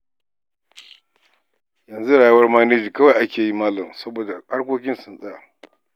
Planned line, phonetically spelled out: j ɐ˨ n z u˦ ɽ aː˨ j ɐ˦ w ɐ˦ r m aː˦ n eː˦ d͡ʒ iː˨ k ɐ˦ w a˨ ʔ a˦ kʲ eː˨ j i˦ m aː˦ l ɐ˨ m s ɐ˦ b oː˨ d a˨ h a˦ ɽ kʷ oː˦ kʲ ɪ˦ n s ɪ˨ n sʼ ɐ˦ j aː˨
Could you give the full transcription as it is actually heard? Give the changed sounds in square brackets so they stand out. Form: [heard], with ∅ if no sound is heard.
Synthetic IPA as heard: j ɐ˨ n z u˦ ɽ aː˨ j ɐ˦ w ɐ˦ r m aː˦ n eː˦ d͡ʒ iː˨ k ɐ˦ w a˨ ʔ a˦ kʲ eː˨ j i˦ m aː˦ l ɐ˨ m s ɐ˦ b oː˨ d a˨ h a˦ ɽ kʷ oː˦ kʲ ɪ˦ n s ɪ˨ n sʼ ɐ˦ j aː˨